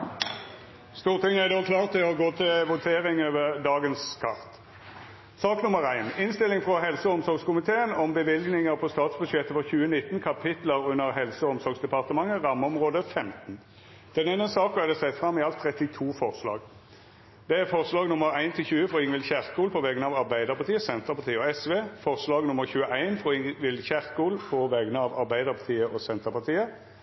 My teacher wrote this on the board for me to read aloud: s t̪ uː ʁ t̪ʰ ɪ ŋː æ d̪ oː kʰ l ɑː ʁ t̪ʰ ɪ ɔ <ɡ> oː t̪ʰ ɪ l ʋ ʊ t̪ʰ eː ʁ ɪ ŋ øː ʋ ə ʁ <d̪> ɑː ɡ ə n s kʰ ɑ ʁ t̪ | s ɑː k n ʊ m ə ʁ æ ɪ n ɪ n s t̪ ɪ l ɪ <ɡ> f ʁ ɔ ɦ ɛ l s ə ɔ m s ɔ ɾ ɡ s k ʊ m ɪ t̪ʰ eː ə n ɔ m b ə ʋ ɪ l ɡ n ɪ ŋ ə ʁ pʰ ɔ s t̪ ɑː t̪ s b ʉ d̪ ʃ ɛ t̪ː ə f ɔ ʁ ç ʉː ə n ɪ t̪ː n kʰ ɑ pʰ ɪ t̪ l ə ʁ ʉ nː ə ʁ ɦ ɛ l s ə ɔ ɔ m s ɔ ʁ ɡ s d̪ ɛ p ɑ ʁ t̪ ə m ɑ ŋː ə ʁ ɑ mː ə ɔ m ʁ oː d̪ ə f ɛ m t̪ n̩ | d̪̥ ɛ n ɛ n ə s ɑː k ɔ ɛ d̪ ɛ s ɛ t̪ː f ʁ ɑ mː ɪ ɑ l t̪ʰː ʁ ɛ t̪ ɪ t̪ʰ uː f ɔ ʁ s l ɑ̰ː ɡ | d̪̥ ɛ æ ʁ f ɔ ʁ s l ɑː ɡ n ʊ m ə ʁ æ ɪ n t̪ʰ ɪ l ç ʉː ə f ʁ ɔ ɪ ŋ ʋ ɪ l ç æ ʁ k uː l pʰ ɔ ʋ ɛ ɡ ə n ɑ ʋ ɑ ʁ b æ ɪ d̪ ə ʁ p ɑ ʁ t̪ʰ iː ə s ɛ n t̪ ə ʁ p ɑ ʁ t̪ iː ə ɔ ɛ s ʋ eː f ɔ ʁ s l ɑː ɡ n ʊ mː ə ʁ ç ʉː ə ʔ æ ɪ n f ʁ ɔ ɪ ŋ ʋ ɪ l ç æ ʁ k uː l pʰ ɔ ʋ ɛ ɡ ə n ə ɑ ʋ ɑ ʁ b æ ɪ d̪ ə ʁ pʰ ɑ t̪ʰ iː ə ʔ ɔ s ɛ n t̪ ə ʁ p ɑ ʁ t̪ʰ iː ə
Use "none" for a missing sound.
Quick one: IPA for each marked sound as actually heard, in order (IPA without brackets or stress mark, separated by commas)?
ɡ, d̪, ŋ